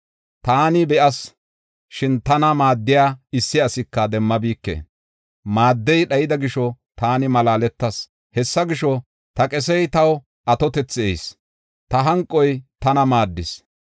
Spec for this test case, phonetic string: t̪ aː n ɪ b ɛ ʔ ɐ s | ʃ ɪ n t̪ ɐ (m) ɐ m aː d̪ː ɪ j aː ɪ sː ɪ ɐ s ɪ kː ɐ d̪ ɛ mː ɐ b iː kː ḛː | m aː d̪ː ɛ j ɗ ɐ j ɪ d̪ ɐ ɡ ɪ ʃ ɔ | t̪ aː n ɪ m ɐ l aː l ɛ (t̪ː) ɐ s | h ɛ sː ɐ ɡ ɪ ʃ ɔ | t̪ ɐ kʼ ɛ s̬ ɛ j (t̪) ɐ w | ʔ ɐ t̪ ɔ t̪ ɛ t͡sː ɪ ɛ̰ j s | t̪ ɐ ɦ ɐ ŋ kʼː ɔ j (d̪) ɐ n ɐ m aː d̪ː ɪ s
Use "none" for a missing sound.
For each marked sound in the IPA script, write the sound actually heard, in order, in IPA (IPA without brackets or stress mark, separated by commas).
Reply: n, t̪ː, t̪, t̪